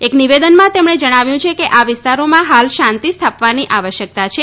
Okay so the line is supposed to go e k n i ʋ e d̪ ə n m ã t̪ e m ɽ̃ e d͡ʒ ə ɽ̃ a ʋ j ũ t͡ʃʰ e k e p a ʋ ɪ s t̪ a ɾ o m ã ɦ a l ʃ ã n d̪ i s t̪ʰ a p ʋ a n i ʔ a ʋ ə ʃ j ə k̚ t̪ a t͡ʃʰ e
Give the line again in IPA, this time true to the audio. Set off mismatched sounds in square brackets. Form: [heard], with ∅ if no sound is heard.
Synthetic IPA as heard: e k n i ʋ e d̪ ə n m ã t̪ e m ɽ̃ e d͡ʒ ə ɽ̃ a ʋ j ũ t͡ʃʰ e k e [ʔ] a ʋ ɪ s t̪ a ɾ o m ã ɦ a l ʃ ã n [t̪] i s t̪ʰ a p ʋ a n i ʔ a ʋ ə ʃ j ə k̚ t̪ a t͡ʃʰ e